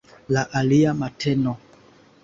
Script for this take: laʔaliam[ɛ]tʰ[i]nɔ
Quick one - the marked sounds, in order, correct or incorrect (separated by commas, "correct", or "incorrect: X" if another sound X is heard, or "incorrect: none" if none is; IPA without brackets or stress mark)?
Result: incorrect: a, incorrect: ɛ